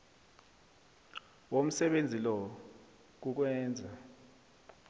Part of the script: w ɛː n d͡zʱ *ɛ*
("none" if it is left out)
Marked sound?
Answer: a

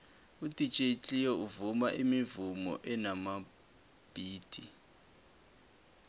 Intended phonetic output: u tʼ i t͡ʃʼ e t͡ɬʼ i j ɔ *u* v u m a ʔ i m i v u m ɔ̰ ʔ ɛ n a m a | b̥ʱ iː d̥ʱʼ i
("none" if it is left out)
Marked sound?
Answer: u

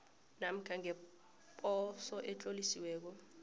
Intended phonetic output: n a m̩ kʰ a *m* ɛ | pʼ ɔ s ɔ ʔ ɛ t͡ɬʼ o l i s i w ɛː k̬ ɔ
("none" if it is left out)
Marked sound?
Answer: ŋ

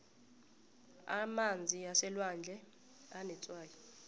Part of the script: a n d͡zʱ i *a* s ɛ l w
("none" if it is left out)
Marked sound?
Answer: a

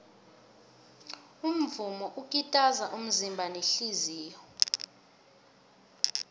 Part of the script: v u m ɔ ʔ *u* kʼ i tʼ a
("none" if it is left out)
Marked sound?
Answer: u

